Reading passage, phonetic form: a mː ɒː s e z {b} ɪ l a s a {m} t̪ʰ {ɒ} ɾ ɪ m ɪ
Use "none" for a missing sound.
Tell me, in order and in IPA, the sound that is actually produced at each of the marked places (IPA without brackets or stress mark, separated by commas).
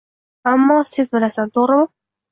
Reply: b, n, o